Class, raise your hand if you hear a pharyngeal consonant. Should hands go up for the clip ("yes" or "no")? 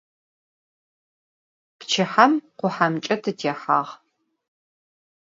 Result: yes